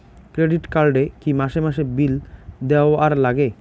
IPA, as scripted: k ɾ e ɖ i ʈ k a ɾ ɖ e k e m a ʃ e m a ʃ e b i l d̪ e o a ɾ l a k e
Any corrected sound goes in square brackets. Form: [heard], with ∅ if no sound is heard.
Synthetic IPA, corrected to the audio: k ɾ e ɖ i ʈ k a ɾ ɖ e k [i] m a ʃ e m a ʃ e b i l d̪ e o a ɾ l a [ɡ] e

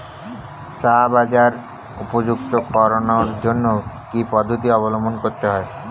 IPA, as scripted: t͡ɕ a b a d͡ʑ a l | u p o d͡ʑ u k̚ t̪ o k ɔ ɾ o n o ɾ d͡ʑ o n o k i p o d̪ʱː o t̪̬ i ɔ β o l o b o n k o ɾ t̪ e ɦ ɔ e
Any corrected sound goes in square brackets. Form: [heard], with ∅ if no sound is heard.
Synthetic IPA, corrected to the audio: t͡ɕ a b a d͡ʑ a [ɾ] | u p o d͡ʑ u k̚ t̪ o k ɔ ɾ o n o ɾ d͡ʑ o [nː] o k i p [ɔ] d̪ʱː o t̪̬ i ɔ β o l o [m] o n k o ɾ t̪ e ɦ ɔ e

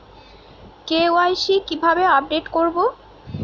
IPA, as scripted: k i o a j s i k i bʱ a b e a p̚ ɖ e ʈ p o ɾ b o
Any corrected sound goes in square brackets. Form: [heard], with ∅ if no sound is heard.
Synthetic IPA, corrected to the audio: k [e] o a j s i k i bʱ a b e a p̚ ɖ e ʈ [k] o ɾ b o

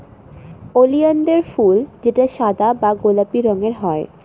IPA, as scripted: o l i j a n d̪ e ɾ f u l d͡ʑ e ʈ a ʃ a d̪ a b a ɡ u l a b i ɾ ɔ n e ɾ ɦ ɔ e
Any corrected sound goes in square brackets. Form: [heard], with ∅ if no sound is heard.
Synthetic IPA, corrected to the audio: o l i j a n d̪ e ɾ f u l d͡ʑ e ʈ a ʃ a d̪ a b a ɡ [o] l a [p] i ɾ ɔ [ŋ] e ɾ ɦ ɔ e

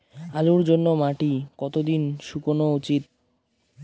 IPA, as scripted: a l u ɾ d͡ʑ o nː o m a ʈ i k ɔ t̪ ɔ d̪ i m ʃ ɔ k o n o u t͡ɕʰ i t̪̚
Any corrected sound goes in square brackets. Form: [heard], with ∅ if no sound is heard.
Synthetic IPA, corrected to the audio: a l u ɾ d͡ʑ o nː o m a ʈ i k ɔ t̪ [o] d̪ i [n] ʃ [u] k o n o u [t͡ɕ] i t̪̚

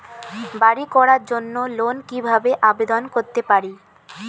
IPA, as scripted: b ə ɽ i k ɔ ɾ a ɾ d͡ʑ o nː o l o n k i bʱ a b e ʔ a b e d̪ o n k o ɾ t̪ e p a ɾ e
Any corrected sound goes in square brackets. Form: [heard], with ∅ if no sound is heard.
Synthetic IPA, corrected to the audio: b [a] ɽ i k ɔ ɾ a ɾ d͡ʑ o nː o l o n k i bʱ a b e ʔ a b e d̪ o n k o ɾ t̪ e p a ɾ [i]

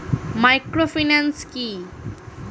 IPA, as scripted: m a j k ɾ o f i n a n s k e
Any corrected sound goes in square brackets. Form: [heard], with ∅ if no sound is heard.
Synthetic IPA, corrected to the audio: m a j k ɾ o f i n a n s k [i]

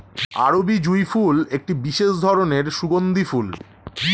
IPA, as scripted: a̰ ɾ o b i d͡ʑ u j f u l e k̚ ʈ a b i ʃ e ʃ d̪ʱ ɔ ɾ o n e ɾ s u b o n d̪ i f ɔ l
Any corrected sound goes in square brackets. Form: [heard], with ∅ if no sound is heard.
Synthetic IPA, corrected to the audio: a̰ ɾ o b i d͡ʑ u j f u l e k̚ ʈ [i] b i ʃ e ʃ d̪ʱ ɔ ɾ o n e ɾ [ʃ] u [ɡ] o n d̪ i f [u] l

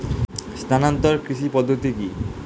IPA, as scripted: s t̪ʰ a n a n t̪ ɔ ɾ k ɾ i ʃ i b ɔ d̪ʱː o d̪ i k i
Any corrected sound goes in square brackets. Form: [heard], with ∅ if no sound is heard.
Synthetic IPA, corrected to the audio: s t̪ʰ a n a n t̪ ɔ ɾ k ɾ i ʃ i [p] ɔ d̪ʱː o [t̪] i k i

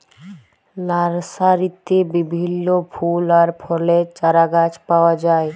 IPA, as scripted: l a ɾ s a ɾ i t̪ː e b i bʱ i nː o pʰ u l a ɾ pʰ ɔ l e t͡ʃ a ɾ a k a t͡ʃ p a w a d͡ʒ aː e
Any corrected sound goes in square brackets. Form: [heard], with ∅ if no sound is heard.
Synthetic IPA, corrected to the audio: l a ɾ s a ɾ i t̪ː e b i bʱ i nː o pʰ u l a ɾ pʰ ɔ l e t͡ʃ a ɾ a [ɡ] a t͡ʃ p a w a d͡ʒ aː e

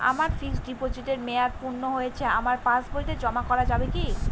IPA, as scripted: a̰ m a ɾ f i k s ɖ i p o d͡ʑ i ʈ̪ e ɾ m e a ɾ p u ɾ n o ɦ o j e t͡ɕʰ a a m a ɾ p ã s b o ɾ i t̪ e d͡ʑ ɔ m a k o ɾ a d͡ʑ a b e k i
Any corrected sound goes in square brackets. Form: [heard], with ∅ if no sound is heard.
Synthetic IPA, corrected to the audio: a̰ m a ɾ f i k s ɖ i p o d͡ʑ i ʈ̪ e ɾ m e a ɾ p u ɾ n o ɦ o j e t͡ɕʰ [e] a m a ɾ p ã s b o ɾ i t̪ e d͡ʑ ɔ m a k [ɔ] ɾ a d͡ʑ a b e k i

